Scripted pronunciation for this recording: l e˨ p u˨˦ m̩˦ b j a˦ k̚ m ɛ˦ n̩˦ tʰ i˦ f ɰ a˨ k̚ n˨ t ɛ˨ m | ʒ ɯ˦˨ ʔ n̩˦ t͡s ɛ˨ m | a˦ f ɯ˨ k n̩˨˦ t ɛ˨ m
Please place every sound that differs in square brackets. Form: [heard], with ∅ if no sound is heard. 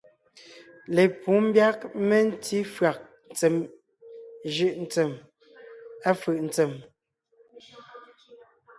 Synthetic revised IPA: l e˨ p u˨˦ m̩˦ b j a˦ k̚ m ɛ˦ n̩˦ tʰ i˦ f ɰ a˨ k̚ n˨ [t͡s] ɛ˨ m | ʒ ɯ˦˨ ʔ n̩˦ t͡s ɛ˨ m | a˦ f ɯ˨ [ʔ] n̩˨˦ [t͡s] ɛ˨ m